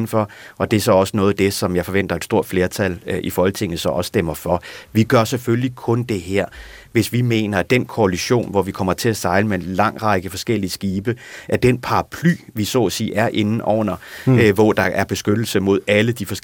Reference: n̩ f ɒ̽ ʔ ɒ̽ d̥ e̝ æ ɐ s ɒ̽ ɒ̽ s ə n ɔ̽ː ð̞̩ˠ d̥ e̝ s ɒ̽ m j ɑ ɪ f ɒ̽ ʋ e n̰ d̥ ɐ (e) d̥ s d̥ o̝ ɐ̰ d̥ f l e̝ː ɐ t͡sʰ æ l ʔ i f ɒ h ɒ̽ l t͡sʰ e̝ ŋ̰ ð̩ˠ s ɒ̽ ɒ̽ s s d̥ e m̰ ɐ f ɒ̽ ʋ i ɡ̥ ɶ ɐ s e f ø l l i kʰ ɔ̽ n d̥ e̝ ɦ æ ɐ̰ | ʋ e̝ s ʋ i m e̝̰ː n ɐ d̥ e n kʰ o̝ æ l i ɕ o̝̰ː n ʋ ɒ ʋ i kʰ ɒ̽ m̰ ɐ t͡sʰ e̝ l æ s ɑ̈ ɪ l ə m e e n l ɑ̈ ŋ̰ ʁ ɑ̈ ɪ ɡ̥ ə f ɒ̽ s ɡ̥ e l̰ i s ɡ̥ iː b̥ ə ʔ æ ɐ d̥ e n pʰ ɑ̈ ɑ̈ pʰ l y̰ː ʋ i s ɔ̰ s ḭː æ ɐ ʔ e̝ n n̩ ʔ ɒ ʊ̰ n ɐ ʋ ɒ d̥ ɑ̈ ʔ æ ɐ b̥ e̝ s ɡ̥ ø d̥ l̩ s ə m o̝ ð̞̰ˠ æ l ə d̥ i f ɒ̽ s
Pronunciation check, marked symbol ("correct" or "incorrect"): correct